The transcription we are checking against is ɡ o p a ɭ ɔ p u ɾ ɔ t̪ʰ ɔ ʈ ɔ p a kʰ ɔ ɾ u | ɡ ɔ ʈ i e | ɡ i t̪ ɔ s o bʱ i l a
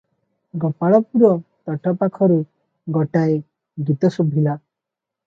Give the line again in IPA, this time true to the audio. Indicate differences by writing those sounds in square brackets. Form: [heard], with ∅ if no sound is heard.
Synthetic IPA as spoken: ɡ [ɔ] p a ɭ ɔ p u ɾ ɔ [t̪] ɔ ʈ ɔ p a kʰ ɔ ɾ u | ɡ ɔ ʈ [a] e | ɡ i t̪ ɔ s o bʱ i l a